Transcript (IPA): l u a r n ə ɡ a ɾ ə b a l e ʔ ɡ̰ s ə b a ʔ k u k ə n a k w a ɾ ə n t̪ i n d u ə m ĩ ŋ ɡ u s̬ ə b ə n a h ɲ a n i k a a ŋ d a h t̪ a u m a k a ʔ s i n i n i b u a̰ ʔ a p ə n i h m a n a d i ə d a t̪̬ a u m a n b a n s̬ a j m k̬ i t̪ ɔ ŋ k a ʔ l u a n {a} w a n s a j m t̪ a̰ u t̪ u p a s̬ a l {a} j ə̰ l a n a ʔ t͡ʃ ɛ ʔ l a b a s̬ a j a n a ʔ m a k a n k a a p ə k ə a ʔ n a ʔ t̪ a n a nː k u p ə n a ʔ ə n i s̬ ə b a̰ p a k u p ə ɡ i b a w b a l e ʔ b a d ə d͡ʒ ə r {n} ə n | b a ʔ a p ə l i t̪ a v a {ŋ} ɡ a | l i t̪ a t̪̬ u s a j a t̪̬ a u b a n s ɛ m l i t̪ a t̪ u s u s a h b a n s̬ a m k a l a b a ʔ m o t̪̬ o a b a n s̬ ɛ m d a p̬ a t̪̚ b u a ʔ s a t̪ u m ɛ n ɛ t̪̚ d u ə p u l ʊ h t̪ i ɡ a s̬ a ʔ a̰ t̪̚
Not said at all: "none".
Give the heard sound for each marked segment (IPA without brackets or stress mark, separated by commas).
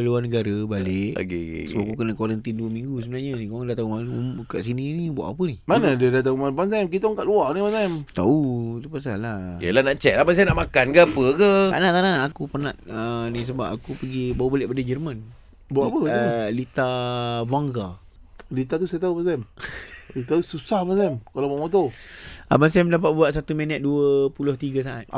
i, a, m, ŋ